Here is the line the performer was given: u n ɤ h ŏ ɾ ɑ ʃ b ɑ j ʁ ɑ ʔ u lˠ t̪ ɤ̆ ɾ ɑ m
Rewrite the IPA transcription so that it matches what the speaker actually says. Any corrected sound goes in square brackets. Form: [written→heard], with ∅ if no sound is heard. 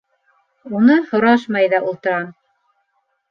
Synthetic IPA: u n ɤ h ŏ ɾ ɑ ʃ [b→m] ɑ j [ʁ→ð] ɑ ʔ u lˠ t̪ ɤ̆ ɾ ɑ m